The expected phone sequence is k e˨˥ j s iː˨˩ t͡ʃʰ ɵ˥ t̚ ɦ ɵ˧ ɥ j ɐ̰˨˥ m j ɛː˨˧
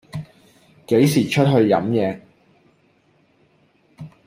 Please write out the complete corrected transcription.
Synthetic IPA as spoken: k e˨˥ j s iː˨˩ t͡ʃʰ ɵ˥ t̚ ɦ ɵ˧ ɥ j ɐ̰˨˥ m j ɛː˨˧